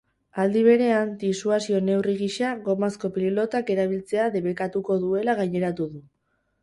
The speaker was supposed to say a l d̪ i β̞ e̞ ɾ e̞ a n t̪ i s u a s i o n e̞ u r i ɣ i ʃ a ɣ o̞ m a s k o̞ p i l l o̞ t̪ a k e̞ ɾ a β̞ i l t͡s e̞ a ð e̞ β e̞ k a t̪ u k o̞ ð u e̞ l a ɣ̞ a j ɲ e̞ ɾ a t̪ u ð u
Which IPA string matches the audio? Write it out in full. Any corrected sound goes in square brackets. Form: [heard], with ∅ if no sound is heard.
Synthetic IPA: a l d̪ i β̞ e̞ ɾ e̞ a n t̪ i s u a s i o n e̞ [w] r i ɣ i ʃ a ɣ o̞ m a s k o̞ p i l l o̞ t̪ a k e̞ ɾ a β̞ i l t͡s e̞ a ð e̞ β e̞ k a t̪ u k o̞ ð u e̞ l a ɣ̞ a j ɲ e̞ ɾ a t̪ u ð u